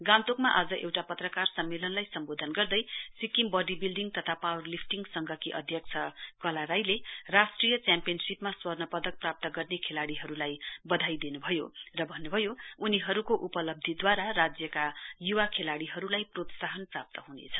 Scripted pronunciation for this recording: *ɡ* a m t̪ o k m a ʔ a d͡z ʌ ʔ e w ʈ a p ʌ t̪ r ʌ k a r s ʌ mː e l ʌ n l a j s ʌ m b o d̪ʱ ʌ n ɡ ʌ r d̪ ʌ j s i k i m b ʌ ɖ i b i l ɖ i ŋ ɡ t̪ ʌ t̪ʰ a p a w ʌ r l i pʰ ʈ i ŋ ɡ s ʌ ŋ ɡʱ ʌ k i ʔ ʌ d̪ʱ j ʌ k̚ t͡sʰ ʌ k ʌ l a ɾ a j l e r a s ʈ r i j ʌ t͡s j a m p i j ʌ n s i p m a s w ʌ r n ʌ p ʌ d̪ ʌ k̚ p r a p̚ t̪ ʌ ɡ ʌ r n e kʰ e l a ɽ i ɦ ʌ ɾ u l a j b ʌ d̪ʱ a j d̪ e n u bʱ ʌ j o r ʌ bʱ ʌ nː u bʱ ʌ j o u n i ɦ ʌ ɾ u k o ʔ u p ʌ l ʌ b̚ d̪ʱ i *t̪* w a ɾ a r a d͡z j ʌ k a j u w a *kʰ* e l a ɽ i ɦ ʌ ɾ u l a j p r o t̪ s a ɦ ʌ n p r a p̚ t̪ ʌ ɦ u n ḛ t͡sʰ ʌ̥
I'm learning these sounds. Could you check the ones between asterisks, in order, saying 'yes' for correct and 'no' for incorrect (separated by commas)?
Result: yes, no, yes